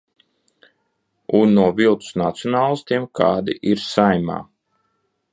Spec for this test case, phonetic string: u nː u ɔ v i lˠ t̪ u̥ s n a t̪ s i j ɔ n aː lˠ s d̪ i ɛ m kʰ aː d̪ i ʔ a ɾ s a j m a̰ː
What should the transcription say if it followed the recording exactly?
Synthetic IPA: u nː u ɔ v i lˠ t̪ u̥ s n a t̪ s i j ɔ n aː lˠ s t̪ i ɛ m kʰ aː d̪ i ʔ i ɾ s a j m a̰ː